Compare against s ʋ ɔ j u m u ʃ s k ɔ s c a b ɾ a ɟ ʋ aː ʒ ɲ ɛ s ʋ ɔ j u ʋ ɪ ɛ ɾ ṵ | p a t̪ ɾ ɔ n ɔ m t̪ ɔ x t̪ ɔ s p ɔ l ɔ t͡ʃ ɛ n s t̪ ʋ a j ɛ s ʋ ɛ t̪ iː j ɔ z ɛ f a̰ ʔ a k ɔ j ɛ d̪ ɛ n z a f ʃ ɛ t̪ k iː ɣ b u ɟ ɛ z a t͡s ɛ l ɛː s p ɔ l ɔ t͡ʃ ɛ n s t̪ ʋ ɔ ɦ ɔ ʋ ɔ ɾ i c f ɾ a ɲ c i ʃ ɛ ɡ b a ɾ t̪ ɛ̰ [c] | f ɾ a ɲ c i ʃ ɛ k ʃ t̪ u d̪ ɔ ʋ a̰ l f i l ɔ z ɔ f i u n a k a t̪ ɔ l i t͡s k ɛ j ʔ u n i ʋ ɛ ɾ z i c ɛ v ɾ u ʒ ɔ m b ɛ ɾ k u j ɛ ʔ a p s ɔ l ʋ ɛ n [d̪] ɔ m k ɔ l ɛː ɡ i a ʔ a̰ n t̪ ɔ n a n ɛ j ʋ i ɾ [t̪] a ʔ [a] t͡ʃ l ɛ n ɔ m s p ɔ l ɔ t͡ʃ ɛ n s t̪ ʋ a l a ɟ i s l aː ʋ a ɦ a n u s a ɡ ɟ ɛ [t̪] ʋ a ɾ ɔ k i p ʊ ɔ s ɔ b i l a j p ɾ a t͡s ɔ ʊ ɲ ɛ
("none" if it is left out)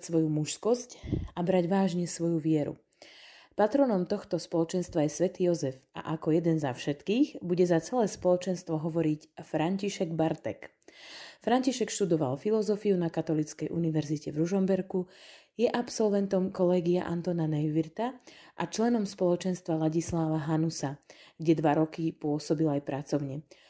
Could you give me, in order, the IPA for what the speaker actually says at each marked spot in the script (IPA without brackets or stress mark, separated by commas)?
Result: k, t̪, t̪, a, d̪